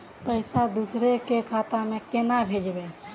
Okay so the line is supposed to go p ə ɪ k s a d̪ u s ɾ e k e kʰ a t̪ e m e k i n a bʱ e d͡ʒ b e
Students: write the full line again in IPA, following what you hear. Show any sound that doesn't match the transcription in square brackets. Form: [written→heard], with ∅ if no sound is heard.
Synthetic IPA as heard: p ə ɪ [k→∅] s a d̪ u s ɾ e k e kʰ a t̪ [e→a] m e k [i→e] n a bʱ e d͡ʒ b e

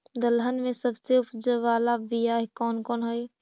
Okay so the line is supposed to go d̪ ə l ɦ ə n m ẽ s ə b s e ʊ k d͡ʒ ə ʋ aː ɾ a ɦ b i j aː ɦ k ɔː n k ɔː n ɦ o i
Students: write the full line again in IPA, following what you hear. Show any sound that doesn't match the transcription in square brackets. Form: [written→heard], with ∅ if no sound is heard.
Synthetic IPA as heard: d̪ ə l ɦ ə n m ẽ s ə b s e ʊ [k→p] d͡ʒ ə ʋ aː [ɾ→l] a [ɦ→∅] b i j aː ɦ k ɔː n k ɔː n ɦ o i

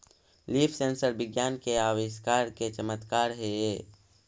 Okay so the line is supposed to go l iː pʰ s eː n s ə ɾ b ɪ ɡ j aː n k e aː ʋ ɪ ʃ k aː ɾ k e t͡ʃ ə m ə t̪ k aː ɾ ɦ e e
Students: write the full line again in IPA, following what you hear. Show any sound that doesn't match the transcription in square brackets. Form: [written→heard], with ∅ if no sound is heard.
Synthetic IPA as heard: l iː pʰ s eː n s ə ɾ b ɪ ɡ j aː n k e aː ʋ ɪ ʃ k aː ɾ k e t͡ʃ ə m ə t̪ k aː ɾ ɦ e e

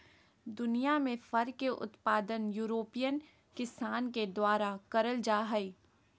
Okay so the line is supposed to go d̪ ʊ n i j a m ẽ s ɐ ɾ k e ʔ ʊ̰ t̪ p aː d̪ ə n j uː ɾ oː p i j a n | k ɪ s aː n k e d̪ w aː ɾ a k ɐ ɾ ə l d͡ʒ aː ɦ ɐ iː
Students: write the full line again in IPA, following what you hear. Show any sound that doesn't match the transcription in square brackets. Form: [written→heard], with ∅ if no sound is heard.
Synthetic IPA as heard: d̪ ʊ n i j a m ẽ [s→f] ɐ ɾ k e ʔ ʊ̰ t̪ p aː d̪ ə n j uː ɾ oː p i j [a→ə] n | k ɪ s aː n k e d̪ w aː ɾ a k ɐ ɾ ə l d͡ʒ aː ɦ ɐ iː

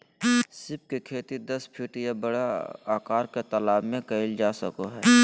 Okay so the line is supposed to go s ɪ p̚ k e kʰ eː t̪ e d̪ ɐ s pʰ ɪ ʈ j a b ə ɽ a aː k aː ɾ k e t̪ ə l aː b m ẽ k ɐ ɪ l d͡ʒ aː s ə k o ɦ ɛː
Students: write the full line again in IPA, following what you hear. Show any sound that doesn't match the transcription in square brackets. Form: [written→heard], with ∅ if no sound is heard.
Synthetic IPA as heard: s ɪ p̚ k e kʰ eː t̪ [e→i] d̪ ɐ s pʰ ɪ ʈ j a b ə ɽ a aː k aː ɾ k e t̪ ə l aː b m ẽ k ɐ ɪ l d͡ʒ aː s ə k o ɦ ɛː

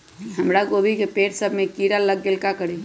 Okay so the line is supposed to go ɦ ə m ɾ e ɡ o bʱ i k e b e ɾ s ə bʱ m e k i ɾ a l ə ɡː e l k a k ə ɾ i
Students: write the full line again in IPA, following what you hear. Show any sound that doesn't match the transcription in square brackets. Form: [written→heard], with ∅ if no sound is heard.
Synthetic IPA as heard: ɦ ə m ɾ [e→a] ɡ o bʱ i k e [b→p] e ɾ s ə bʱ m e k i ɾ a l ə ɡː e l k a k ə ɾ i

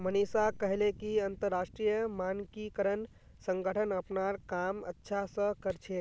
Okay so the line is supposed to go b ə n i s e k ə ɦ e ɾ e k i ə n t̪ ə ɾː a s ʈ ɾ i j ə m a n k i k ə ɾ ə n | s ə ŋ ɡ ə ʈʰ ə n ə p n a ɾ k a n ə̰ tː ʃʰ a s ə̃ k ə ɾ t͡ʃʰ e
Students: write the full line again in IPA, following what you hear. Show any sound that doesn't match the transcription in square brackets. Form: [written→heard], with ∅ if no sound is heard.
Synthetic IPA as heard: [b→m] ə n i s [e→a] k ə ɦ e [ɾ→l] e k i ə n t̪ ə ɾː a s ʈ ɾ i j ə m a n k i k ə ɾ ə n | s ə ŋ ɡ ə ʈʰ ə n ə p n a ɾ k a [n→m] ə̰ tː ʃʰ a s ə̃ k ə ɾ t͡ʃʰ e

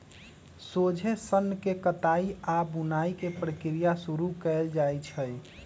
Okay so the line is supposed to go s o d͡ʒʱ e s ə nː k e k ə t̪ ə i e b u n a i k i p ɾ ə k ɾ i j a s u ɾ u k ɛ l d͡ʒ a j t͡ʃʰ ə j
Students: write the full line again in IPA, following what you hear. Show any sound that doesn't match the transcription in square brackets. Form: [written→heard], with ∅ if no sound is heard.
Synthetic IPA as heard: s o d͡ʒʱ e s ə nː k e k ə t̪ [ə→a] i [e→a] b u n a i k [i→e] p ɾ ə k ɾ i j a s u ɾ u k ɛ l d͡ʒ a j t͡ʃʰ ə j

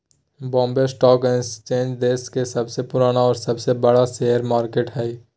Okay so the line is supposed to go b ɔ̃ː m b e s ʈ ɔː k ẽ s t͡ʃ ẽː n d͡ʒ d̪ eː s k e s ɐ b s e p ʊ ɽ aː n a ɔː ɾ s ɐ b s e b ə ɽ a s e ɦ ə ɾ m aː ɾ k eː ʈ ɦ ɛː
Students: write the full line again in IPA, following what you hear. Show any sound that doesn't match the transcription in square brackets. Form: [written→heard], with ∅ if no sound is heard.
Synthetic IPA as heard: b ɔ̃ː m b e s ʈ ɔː k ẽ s t͡ʃ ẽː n d͡ʒ d̪ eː s k e s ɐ b s e p ʊ [ɽ→ɾ] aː n a ɔː ɾ s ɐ b s e b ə ɽ a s e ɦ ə ɾ m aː ɾ k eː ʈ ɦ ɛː

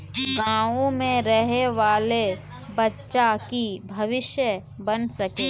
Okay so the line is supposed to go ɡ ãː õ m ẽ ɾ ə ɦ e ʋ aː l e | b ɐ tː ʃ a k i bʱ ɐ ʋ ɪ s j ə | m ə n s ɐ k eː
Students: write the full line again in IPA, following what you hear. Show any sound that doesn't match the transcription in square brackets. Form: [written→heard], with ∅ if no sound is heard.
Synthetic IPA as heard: ɡ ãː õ m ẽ ɾ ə ɦ e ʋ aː l e | b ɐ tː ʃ a k i bʱ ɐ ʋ ɪ [s→ʃ] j ə | [m→b] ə n s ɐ k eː

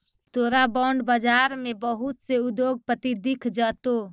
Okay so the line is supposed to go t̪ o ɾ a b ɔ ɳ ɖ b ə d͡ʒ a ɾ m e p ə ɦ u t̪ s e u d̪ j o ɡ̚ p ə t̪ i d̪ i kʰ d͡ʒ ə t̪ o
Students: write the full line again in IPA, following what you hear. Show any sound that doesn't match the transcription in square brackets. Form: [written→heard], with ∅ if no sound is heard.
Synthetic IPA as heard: t̪ o ɾ a b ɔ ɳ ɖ b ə d͡ʒ a ɾ m e [p→b] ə ɦ u t̪ s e u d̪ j o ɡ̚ p ə t̪ i d̪ i kʰ d͡ʒ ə t̪ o

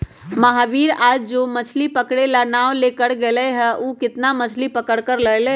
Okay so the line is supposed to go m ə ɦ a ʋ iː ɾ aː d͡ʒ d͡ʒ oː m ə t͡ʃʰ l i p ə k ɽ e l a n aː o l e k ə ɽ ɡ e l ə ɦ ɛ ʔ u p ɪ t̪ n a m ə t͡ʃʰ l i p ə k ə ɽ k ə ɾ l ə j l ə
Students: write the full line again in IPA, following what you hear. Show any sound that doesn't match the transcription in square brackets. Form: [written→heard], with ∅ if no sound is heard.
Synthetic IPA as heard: m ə ɦ a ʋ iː ɾ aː d͡ʒ d͡ʒ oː m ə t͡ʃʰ l i p ə k ɽ e l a n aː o l e k ə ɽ ɡ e l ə ɦ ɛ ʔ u [p→k] ɪ t̪ n a m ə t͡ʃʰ l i p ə k ə ɽ k ə ɾ l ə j l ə

